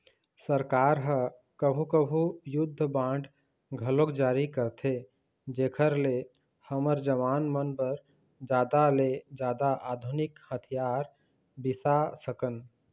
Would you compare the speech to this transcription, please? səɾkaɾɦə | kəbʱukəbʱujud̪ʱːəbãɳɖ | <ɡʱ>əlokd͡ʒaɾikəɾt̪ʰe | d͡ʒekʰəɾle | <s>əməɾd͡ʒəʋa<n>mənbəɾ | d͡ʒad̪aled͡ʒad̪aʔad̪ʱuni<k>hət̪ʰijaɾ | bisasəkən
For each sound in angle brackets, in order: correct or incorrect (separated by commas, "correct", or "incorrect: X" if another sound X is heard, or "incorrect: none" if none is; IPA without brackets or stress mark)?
correct, incorrect: h, correct, correct